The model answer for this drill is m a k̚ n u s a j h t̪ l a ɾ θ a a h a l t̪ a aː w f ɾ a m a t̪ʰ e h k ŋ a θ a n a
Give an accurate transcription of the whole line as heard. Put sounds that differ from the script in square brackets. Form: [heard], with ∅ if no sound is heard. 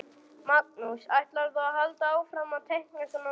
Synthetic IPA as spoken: m a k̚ n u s a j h t̪ l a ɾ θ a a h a l t̪ a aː w f ɾ a m a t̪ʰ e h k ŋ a [s] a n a